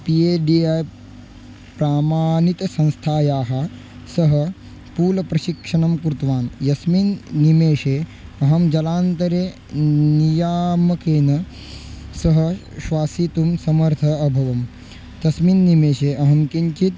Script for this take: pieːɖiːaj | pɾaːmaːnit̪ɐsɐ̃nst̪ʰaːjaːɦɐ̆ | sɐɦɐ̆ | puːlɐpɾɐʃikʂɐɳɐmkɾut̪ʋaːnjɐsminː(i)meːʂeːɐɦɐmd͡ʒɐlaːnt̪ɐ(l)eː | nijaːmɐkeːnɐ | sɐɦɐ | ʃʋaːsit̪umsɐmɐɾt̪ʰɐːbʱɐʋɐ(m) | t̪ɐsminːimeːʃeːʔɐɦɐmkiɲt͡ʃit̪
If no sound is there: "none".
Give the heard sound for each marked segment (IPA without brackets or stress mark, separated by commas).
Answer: i, ɾ, m